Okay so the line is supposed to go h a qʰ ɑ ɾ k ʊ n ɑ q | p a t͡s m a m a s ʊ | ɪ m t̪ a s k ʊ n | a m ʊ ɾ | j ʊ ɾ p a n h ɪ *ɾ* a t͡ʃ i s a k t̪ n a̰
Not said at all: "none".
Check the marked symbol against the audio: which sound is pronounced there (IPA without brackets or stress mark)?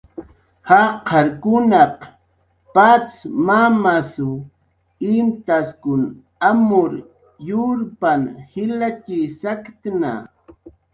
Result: l